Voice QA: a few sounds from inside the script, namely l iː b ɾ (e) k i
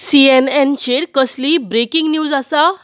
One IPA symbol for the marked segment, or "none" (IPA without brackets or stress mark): e